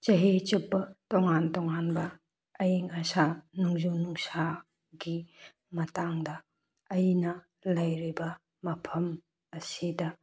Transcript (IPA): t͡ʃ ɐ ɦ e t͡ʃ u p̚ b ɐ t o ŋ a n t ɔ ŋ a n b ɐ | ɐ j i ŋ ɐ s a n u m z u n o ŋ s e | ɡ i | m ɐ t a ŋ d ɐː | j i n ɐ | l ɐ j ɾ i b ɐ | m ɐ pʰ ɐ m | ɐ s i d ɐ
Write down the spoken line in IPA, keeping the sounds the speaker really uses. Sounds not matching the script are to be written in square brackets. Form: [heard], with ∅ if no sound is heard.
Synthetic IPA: t͡ʃ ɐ ɦ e t͡ʃ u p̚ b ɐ t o ŋ a n t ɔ ŋ a n b ɐ | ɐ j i ŋ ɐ s a n u [ŋ] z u n [u] ŋ s [a] | ɡ i | m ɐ t a ŋ d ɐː | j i n ɐ | l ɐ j ɾ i b ɐ | m ɐ pʰ ɐ m | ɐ s i d ɐ